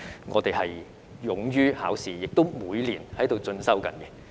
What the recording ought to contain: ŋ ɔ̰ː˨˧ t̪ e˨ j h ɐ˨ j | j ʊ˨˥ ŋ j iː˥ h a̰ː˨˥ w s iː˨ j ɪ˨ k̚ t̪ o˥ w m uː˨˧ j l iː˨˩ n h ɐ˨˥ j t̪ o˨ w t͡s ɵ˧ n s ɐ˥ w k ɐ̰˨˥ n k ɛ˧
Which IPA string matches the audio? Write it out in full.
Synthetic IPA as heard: ŋ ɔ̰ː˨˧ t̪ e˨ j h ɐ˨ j | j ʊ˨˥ ŋ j yː˥ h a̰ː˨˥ w s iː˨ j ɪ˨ k̚ t̪ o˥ w m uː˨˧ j l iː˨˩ n h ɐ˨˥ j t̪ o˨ w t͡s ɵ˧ n s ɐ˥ w k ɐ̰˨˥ n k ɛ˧